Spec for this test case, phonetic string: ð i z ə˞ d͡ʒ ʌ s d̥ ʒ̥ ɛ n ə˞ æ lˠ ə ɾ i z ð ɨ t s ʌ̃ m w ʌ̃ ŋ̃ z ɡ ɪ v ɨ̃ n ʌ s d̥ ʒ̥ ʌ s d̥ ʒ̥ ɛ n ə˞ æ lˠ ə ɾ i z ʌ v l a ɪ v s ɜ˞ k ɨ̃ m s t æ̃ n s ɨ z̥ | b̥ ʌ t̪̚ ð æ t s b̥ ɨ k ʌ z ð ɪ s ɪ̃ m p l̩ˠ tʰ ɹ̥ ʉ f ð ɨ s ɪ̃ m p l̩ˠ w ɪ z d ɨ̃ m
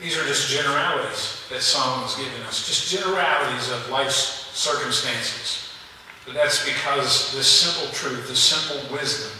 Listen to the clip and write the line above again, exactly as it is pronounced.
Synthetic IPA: ð i z ə˞ d͡ʒ ʌ s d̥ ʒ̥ ɛ n ə˞ æ lˠ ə ɾ i z ð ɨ t s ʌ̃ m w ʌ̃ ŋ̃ z ɡ ɪ v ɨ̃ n ʌ s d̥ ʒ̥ ʌ s d̥ ʒ̥ ɛ n ə˞ æ lˠ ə ɾ i z ʌ v l a ɪ f s ɜ˞ k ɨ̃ m s t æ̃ n s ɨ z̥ | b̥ ʌ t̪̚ ð æ t s b̥ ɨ kʰ ʌ z ð ɪ s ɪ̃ m p l̩ˠ tʰ ɹ̥ ʉ θ ð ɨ s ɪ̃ m p l̩ˠ w ɪ z d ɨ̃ m